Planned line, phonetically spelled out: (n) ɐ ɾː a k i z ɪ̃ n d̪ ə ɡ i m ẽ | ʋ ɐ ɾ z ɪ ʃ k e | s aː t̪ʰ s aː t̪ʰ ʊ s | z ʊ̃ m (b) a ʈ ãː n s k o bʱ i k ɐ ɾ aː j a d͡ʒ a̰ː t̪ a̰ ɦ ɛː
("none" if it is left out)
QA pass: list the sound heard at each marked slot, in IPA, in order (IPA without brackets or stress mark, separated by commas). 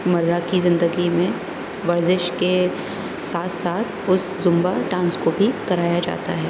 m, b